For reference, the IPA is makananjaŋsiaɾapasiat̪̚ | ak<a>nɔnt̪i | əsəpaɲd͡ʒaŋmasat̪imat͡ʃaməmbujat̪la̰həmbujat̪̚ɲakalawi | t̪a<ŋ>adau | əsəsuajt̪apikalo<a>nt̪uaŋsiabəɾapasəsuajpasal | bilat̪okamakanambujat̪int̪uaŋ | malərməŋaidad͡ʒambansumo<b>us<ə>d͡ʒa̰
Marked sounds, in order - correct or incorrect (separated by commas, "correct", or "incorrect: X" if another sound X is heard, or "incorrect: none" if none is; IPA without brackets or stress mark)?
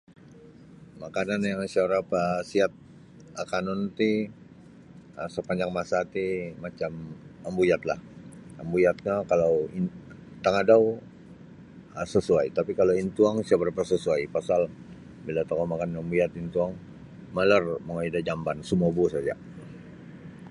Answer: correct, correct, incorrect: i, correct, incorrect: a